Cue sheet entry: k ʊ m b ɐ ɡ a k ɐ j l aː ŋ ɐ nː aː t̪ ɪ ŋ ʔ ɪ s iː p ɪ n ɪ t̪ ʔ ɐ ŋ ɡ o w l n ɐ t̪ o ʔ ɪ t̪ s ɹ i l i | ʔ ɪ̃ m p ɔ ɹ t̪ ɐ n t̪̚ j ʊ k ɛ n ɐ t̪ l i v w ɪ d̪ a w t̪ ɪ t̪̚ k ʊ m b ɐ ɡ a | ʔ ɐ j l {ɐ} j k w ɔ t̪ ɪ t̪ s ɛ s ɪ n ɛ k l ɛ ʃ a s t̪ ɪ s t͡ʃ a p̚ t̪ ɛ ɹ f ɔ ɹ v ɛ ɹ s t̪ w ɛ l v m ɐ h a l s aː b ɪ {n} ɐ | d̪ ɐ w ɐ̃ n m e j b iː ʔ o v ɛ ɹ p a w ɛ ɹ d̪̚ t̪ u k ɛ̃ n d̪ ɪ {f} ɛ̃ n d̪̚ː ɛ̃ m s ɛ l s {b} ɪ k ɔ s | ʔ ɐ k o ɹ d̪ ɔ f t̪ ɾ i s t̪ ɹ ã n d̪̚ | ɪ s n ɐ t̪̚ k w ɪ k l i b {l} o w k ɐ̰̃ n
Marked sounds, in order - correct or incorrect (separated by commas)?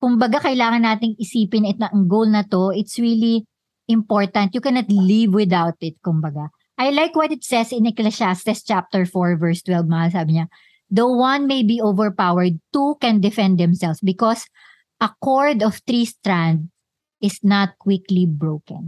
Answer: incorrect, incorrect, correct, correct, incorrect